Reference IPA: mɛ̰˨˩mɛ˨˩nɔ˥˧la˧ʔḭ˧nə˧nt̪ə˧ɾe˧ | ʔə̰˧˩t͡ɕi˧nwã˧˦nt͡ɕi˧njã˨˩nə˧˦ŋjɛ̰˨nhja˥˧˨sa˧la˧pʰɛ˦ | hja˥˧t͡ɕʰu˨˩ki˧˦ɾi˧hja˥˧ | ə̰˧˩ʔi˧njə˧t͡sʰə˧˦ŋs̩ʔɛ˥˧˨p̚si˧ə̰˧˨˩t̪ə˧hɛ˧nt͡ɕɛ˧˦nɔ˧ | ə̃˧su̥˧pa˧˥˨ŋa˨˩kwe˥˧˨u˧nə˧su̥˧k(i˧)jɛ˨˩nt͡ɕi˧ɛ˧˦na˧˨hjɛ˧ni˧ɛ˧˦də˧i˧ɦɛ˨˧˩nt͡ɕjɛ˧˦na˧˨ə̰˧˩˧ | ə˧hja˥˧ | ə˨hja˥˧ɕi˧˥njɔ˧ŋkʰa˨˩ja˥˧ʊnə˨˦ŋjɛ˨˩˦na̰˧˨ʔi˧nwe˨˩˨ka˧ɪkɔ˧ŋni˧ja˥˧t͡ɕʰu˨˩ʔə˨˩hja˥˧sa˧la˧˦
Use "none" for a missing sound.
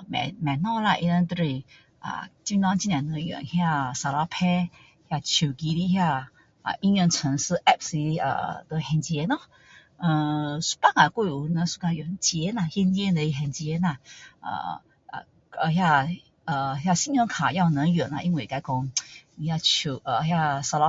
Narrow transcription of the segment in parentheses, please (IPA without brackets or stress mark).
a˧